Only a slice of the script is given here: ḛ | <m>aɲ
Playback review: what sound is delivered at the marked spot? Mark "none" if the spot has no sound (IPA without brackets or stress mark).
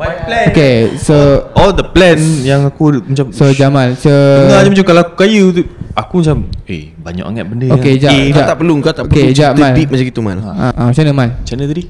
b